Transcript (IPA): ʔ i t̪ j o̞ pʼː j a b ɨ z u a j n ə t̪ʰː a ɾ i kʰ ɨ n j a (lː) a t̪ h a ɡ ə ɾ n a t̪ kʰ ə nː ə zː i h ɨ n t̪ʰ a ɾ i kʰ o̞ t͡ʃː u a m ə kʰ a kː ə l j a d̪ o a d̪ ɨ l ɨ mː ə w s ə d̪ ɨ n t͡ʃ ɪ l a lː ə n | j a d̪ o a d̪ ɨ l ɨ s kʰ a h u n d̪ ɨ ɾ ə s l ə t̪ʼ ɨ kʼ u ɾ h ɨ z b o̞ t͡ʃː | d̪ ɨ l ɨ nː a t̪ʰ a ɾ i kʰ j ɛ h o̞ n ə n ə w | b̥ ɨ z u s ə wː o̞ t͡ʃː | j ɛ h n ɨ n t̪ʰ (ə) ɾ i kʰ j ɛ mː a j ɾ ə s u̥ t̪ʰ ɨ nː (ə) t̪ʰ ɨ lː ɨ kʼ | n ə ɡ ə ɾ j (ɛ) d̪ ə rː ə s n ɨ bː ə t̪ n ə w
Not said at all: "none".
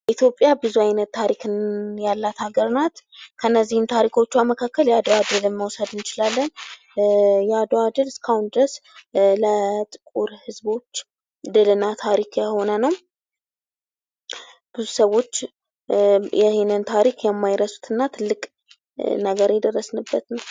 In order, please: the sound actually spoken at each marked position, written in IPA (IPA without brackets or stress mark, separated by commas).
lː, a, a, ɛ